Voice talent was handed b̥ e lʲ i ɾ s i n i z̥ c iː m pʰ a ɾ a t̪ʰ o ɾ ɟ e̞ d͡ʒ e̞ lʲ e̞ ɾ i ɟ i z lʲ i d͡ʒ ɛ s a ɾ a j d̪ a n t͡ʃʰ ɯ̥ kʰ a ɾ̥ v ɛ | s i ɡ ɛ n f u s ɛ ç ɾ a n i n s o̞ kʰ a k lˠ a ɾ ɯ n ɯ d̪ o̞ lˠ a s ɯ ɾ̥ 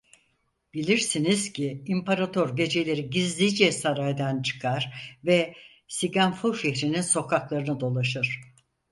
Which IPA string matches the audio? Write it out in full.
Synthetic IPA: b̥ i lʲ i ɾ s i n i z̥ c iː m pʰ a ɾ a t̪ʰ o ɾ ɟ e̞ d͡ʒ e̞ lʲ e̞ ɾ i ɟ i z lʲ i d͡ʒ ɛ s a ɾ a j d̪ a n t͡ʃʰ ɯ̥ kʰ a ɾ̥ v ɛ | s i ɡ a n f u ʃ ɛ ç ɾ i n i n s o̞ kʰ a k lˠ a ɾ ɯ n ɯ d̪ o̞ lˠ a ʃ ɯ ɾ̥